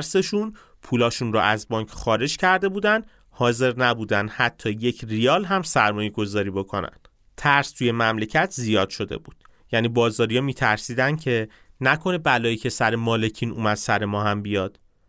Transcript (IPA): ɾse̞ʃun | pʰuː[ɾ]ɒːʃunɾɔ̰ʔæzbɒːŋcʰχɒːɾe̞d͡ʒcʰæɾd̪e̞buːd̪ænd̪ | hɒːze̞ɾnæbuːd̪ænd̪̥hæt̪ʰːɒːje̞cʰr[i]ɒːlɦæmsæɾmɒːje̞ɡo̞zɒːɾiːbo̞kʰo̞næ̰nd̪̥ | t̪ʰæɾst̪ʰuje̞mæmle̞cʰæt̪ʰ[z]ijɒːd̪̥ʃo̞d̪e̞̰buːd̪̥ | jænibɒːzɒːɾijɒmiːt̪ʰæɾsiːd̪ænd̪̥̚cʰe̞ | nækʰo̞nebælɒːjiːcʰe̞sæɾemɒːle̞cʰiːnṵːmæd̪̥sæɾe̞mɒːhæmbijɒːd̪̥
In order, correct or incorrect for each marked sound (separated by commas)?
incorrect, correct, correct